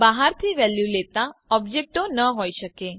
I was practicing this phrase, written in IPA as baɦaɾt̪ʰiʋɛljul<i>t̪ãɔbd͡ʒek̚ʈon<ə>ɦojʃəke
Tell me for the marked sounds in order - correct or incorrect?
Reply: incorrect, correct

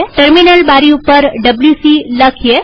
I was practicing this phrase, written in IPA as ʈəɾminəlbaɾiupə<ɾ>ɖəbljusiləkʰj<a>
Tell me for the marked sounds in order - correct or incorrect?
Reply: correct, incorrect

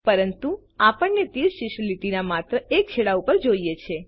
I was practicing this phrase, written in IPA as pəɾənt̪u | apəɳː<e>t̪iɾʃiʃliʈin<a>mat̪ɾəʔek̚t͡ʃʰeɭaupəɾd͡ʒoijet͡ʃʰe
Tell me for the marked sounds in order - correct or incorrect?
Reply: correct, correct

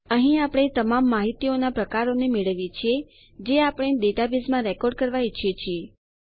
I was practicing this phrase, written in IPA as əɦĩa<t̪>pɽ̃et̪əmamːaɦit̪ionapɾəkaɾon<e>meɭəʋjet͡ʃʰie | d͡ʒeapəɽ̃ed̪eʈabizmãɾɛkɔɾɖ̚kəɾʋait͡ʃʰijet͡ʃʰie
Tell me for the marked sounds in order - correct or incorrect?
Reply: incorrect, correct

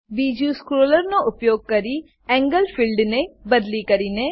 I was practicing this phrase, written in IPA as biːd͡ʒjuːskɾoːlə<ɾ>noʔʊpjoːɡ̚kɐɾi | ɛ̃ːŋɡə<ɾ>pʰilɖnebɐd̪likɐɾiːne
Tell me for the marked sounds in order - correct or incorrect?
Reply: correct, incorrect

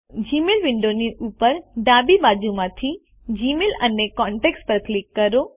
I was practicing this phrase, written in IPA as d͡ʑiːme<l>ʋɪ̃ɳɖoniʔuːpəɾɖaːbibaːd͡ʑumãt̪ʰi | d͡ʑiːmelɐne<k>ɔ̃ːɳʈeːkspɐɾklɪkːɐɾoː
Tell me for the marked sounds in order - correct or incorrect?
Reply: correct, correct

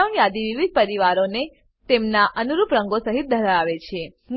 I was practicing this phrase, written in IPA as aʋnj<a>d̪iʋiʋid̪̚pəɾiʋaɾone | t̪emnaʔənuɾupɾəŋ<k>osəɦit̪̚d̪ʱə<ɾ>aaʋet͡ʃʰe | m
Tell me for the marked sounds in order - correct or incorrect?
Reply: correct, incorrect, correct

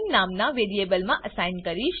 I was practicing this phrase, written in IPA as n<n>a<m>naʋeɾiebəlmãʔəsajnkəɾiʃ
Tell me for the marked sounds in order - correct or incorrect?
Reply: correct, correct

